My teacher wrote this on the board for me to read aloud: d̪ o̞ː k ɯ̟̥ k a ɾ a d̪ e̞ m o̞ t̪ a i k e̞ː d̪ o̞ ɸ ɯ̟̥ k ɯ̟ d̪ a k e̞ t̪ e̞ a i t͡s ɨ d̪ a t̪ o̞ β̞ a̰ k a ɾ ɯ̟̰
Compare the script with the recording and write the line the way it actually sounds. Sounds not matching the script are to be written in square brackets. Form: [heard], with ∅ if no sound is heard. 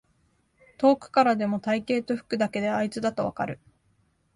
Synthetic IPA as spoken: [t̪] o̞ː k ɯ̟̥ k a ɾ a d̪ e̞ m o̞ t̪ a i k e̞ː [t̪] o̞ ɸ ɯ̟̥ k ɯ̟ d̪ a k e̞ [d̪] e̞ a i t͡s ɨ d̪ a t̪ o̞ β̞ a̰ k a ɾ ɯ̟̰

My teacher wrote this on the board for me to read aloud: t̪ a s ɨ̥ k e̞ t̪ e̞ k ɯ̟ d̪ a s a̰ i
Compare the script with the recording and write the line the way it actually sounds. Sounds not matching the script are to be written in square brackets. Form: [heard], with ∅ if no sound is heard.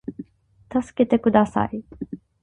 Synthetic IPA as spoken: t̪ a s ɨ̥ k e̞ t̪ e̞ k ɯ̟ d̪ a s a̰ i

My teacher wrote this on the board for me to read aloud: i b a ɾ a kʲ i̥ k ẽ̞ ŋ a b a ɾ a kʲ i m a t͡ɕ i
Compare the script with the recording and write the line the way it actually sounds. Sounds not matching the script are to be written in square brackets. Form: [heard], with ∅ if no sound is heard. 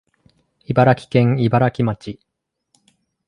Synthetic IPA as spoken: i b a ɾ a kʲ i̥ k ẽ̞ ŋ [i] b a ɾ a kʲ i m a t͡ɕ i

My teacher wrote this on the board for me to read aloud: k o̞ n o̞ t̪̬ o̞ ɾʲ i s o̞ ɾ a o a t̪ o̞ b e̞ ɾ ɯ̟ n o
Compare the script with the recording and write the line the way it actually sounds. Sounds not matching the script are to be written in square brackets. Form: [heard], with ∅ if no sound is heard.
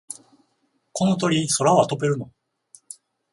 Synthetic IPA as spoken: k o̞ n o̞ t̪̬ o̞ ɾʲ i s o̞ ɾ a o a t̪ o̞ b e̞ ɾ ɯ̟ n o

